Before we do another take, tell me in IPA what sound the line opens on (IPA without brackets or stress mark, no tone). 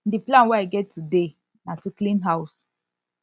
d